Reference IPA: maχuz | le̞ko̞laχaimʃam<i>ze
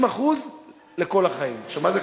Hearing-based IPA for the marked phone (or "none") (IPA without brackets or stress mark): a